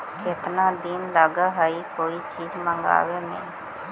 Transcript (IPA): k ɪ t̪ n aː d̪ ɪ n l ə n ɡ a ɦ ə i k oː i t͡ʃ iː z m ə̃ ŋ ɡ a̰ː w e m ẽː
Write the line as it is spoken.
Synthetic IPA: k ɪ t̪ n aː d̪ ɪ n l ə ɡ a ɦ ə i k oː i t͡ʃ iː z m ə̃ ŋ ɡ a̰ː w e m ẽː